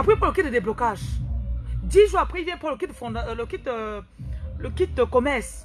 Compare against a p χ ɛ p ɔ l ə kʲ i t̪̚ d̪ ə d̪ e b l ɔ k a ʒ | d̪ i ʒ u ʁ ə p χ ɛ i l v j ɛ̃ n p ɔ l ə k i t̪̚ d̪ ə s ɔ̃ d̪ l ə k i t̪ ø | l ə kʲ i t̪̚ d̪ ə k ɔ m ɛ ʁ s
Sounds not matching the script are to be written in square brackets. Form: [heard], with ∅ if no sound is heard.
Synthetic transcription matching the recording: a p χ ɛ p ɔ l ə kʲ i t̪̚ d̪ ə d̪ e b l ɔ k a ʒ | d̪ i ʒ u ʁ [a] p χ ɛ i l v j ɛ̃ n p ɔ l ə k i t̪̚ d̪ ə [f] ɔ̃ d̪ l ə k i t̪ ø | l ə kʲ i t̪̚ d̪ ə k ɔ m ɛ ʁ s